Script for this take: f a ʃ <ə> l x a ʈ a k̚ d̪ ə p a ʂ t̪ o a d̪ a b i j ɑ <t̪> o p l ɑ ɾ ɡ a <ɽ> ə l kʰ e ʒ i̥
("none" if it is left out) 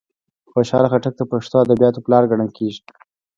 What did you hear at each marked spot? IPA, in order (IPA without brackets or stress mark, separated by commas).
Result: ɑ, t̪, ɽ